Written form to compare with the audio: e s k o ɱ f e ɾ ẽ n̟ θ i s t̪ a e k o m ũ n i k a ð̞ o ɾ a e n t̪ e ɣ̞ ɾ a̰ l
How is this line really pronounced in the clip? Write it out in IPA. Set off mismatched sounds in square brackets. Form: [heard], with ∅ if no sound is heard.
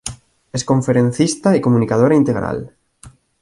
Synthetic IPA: e s k o ɱ f e ɾ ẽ n̟ θ i s t̪ a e k o m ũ n i k a ð̞ o ɾ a [i] n t̪ e ɣ̞ ɾ a̰ l